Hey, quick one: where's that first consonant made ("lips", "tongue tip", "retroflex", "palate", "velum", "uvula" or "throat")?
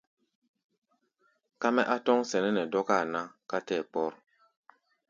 velum